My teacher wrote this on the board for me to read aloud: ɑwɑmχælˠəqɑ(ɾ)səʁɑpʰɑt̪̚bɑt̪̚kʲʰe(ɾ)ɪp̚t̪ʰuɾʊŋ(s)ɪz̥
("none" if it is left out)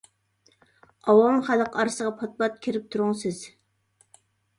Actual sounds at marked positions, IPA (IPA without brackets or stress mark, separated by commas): ɾ, ɾ, s